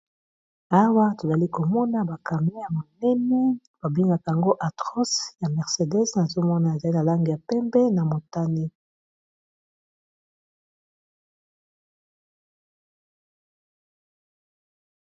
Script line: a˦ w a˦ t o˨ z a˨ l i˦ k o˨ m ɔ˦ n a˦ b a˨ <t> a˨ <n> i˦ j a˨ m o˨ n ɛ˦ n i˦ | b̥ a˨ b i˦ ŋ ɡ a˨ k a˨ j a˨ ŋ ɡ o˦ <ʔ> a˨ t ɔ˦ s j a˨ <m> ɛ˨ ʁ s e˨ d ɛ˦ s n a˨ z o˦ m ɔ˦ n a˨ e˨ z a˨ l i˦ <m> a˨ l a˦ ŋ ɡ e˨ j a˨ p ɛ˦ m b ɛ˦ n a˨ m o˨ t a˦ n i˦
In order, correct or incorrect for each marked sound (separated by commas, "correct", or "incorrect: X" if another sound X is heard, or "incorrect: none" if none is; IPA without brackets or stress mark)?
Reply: incorrect: k, incorrect: m, correct, correct, incorrect: n